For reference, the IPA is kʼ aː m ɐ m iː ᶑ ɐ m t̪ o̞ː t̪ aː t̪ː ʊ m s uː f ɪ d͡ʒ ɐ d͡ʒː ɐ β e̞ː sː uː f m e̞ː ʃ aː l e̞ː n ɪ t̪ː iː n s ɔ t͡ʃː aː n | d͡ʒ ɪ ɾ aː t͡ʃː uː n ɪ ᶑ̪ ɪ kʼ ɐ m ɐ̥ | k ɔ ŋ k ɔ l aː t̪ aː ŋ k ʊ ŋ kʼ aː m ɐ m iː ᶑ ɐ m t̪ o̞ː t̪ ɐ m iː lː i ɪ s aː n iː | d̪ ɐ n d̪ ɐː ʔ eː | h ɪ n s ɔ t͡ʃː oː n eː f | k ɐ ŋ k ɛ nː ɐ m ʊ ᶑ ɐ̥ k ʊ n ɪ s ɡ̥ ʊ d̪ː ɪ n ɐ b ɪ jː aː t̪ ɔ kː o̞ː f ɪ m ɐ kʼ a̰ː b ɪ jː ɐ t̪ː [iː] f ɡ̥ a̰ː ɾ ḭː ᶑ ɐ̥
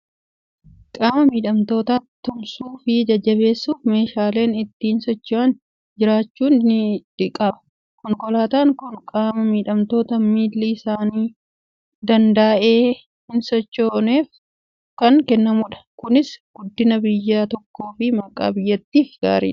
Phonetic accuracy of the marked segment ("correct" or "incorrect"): correct